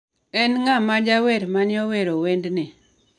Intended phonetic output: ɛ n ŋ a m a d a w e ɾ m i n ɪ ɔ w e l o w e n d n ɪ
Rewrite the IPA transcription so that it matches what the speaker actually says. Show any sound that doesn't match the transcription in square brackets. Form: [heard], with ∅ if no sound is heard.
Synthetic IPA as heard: ɛ n ŋ a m a [d͡ʒ] a w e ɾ m [a] n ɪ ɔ w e [ɾ] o w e n d n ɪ